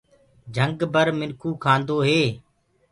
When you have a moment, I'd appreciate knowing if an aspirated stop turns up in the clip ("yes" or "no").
yes